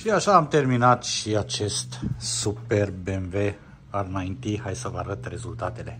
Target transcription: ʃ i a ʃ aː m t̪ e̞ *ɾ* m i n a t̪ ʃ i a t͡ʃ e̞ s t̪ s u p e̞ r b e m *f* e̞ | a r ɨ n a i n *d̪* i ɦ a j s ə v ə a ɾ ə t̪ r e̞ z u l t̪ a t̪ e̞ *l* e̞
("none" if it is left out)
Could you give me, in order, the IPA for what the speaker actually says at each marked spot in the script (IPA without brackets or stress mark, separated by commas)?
r, v, t̪, l